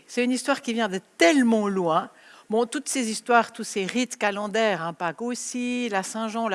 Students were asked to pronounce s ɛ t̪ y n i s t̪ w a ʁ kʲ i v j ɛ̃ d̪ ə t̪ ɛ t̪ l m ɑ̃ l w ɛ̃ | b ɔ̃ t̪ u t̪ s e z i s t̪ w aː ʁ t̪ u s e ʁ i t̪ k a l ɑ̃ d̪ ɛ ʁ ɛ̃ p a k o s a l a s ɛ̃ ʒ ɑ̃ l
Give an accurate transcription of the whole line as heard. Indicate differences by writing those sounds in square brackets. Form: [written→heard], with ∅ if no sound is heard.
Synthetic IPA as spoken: s ɛ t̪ y n i s t̪ w a ʁ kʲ i v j ɛ̃ d̪ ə t̪ ɛ [t̪→∅] l m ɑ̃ l w ɛ̃ | b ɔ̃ t̪ u t̪ s e z i s t̪ w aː ʁ t̪ u s e ʁ i t̪ k a l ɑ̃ d̪ ɛ ʁ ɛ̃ p a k o s [a→i] l a s ɛ̃ ʒ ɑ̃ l